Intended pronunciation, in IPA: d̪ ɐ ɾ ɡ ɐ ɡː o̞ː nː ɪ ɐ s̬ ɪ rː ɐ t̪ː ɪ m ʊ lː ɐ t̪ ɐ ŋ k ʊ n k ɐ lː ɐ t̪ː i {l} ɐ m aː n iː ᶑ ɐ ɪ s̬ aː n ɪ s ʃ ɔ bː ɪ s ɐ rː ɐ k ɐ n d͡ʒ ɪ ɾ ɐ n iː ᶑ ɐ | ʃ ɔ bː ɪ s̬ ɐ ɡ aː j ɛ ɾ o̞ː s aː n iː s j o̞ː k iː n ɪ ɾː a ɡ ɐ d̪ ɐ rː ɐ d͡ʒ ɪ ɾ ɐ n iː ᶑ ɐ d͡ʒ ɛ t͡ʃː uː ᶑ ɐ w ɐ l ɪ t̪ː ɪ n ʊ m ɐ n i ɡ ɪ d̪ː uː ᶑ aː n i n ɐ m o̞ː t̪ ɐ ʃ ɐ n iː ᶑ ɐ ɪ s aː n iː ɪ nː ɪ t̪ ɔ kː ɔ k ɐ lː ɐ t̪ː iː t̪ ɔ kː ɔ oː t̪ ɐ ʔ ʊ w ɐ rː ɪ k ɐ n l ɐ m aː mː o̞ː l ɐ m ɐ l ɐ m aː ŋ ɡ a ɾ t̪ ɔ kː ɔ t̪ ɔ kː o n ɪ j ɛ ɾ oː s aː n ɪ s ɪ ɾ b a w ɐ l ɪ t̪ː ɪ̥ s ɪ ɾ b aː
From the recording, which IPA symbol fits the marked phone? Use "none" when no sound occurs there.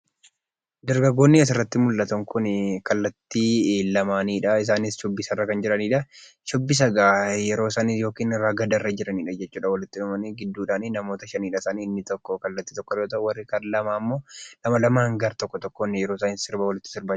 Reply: l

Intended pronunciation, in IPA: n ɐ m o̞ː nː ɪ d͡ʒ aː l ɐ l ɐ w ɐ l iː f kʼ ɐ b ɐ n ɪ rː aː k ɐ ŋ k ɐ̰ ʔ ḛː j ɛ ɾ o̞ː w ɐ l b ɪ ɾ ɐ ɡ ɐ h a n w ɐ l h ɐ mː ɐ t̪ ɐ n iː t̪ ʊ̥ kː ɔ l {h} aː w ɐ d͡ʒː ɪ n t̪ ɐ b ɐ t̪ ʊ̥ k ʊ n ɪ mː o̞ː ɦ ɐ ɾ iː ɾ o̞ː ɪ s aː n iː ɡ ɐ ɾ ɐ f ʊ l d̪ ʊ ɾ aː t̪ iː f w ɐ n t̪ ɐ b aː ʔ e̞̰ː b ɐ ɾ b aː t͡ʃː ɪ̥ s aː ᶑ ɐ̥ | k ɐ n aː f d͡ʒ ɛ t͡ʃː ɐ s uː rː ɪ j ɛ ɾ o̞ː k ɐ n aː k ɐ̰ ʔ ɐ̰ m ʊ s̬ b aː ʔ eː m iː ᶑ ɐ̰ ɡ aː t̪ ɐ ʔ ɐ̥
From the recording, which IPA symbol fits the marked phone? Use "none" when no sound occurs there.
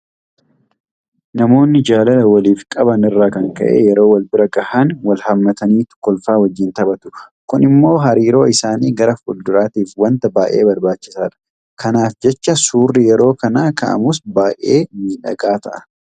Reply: f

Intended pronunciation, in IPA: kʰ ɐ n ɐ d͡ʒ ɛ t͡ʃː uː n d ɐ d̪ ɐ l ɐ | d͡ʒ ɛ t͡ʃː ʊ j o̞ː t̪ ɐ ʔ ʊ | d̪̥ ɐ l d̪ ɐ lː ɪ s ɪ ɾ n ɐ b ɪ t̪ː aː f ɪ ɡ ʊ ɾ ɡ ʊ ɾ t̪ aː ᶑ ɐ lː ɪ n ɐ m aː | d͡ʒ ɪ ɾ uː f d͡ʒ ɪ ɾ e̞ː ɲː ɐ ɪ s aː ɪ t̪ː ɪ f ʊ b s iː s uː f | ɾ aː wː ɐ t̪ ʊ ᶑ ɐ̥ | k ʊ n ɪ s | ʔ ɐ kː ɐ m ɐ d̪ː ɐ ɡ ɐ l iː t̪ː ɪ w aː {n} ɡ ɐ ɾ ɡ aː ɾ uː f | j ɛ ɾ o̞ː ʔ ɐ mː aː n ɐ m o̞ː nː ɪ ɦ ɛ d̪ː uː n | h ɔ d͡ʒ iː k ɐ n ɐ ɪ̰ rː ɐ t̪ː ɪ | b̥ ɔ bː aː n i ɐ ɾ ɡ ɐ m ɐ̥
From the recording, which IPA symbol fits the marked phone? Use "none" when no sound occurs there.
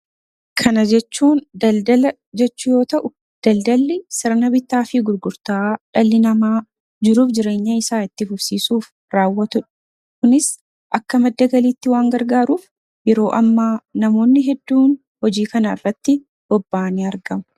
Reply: ŋ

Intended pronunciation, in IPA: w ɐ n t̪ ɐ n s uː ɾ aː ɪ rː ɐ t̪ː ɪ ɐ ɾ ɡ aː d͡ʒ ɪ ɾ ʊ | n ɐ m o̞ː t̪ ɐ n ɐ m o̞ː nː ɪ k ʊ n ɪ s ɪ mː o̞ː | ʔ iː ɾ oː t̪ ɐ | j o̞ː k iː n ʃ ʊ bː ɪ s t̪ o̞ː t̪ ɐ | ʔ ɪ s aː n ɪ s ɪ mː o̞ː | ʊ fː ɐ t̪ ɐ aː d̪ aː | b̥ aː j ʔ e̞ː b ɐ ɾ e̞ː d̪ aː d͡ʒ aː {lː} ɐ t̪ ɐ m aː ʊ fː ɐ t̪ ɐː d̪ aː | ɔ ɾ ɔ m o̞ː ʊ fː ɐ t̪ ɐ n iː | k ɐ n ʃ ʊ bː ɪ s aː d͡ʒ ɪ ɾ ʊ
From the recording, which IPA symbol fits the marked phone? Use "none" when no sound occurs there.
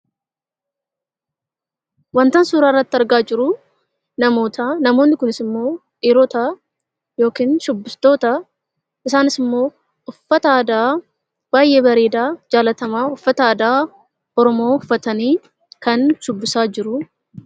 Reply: l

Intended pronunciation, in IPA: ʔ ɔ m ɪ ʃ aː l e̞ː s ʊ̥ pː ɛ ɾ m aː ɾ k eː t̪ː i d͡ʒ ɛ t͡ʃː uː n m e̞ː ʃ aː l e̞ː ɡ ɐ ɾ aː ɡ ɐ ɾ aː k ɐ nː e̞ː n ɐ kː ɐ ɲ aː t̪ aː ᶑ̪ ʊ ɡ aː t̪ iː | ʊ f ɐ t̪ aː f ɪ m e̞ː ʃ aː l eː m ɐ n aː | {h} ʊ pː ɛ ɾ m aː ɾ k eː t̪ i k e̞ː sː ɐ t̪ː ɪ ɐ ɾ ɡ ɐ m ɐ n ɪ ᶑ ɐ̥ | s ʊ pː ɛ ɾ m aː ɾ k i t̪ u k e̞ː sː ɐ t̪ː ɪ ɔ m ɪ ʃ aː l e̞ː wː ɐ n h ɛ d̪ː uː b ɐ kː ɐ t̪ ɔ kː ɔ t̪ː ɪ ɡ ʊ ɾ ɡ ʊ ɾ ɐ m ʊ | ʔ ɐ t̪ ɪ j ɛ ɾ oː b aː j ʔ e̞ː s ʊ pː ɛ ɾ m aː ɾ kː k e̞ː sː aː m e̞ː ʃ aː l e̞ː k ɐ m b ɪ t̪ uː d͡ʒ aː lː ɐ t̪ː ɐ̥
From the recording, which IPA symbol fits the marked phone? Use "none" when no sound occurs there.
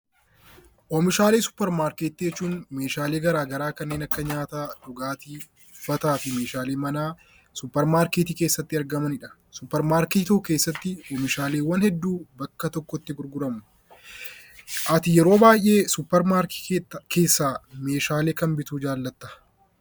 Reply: s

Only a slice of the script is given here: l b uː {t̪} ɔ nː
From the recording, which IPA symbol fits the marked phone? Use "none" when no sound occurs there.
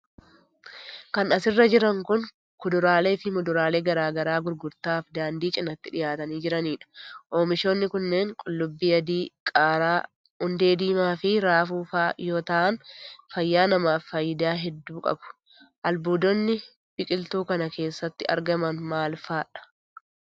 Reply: d̪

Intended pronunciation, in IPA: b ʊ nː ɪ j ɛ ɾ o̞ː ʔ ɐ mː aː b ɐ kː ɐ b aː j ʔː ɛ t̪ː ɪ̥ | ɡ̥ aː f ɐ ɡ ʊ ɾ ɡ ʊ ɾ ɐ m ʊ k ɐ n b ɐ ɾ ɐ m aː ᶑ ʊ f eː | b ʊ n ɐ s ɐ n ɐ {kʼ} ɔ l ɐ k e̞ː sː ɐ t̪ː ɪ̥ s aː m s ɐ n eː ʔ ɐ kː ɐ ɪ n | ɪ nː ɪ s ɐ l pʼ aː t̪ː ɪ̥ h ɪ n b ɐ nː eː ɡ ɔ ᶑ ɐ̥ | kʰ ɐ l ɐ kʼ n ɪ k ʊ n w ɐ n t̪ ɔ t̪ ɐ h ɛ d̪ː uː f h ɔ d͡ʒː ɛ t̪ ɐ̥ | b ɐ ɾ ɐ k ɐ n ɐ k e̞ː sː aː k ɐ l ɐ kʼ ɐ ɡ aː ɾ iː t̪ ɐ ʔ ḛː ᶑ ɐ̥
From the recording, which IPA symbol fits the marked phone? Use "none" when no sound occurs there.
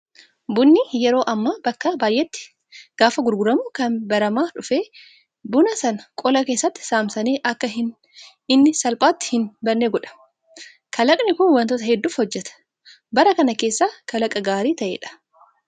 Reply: kʼ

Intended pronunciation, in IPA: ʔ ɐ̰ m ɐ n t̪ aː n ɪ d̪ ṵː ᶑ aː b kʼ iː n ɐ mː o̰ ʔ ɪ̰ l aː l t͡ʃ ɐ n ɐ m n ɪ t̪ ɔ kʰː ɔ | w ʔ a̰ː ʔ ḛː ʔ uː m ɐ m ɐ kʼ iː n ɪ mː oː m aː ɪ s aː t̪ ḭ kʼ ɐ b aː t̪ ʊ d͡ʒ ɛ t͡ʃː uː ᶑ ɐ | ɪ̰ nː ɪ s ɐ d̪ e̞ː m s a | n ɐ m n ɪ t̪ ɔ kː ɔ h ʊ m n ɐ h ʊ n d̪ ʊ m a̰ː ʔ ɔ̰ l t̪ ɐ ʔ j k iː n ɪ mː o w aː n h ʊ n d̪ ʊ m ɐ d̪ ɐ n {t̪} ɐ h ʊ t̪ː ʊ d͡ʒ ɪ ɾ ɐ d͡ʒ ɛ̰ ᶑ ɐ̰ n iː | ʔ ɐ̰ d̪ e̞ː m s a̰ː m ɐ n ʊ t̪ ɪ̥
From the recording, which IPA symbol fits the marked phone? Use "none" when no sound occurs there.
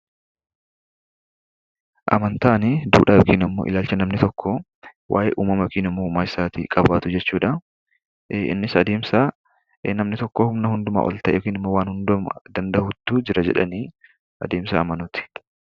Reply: d̪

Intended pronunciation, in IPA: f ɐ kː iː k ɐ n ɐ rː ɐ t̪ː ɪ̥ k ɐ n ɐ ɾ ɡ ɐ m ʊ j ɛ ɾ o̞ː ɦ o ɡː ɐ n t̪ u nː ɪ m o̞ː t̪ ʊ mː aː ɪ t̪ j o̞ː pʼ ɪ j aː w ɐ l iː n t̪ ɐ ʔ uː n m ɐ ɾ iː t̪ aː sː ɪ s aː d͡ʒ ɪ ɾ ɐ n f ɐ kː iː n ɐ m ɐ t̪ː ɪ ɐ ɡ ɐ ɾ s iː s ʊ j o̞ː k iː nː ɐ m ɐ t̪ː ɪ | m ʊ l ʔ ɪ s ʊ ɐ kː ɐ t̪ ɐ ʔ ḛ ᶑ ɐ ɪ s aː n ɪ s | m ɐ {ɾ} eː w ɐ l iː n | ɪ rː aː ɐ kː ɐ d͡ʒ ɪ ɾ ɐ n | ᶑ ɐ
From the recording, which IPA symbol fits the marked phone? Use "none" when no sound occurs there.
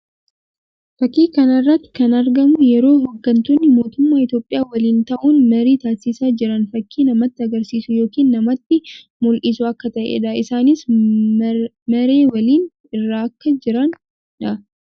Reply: ɾ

